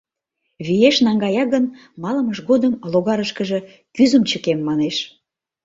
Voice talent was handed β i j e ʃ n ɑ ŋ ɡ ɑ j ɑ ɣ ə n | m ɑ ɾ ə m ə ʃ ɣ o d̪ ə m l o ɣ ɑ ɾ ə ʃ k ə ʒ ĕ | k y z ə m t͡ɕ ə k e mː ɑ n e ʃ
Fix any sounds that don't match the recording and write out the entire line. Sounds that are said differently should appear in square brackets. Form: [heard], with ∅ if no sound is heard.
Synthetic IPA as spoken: β i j e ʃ n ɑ ŋ ɡ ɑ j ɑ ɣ ə n | m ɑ [l] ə m ə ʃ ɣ o d̪ ə m l o ɣ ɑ ɾ ə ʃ k ə ʒ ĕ | k y z ə m t͡ɕ ə k e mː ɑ n e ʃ